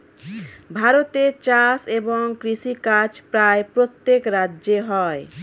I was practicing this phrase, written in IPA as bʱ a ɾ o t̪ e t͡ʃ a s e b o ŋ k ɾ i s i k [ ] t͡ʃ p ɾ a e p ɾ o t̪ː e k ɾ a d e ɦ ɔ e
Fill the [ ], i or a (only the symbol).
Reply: a